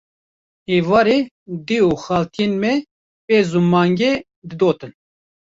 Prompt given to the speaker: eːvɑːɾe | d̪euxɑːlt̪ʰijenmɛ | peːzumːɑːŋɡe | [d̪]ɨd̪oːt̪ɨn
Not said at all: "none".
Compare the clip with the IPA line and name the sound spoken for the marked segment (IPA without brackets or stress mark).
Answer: d̪